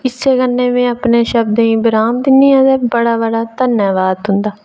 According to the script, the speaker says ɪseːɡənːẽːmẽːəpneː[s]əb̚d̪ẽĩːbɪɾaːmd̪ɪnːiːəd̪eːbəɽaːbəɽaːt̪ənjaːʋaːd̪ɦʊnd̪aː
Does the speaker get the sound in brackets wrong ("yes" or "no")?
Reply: yes